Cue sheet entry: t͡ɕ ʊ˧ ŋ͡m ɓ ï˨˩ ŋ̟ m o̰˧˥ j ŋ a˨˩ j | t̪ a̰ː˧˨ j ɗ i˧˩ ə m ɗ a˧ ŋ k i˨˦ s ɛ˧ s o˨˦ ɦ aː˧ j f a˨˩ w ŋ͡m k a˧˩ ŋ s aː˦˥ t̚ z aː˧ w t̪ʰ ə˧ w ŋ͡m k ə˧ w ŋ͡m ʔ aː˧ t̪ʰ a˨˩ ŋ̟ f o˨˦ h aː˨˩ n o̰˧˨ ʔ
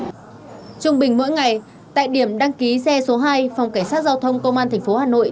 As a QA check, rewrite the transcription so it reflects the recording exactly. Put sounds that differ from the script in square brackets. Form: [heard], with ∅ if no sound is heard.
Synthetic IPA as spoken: t͡ɕ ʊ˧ ŋ͡m ɓ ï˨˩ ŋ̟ m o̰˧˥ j ŋ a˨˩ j | t̪ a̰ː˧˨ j ɗ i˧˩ ə m ɗ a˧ ŋ k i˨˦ s ɛ˧ s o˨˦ ɦ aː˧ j f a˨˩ w ŋ͡m k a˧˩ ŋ s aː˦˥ t̚ z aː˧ w t̪ʰ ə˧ w ŋ͡m k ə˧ w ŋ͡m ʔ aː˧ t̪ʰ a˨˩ ŋ̟ f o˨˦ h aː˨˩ n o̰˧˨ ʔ